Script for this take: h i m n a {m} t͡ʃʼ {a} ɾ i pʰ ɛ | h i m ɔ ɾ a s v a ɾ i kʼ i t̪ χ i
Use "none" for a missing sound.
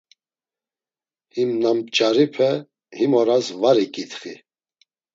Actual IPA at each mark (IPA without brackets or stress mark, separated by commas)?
m, a